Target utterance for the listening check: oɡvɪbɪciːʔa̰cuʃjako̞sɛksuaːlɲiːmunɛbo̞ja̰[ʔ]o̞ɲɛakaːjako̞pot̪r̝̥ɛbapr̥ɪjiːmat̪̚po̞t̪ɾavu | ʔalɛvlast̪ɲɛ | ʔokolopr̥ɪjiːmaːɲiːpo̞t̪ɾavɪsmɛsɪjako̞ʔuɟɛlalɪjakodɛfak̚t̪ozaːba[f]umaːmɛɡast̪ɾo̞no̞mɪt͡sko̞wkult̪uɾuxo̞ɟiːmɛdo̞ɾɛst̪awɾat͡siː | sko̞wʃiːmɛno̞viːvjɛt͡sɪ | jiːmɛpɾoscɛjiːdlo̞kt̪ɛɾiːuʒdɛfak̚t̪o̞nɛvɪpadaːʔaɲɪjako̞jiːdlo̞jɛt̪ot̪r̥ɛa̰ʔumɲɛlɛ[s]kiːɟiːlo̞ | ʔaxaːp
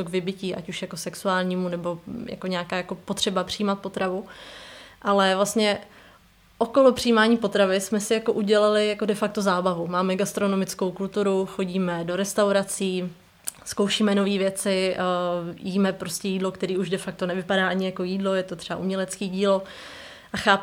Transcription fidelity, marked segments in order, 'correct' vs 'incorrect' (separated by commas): incorrect, incorrect, incorrect